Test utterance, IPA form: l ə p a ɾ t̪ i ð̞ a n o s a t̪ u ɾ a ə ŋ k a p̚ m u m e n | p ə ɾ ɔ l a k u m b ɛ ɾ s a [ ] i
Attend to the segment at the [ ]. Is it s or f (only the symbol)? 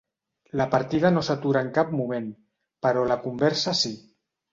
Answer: s